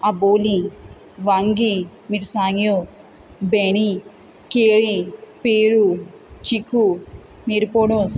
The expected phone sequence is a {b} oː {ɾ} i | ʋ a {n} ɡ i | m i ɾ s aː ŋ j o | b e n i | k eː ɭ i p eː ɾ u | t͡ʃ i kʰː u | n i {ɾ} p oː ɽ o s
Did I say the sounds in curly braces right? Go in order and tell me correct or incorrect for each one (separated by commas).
correct, incorrect, incorrect, correct